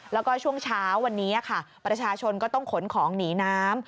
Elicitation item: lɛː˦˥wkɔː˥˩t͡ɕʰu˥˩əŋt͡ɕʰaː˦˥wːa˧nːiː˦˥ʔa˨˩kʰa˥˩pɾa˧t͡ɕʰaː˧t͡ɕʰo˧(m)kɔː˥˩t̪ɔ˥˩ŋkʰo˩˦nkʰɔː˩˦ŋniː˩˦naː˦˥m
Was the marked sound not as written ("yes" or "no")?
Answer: yes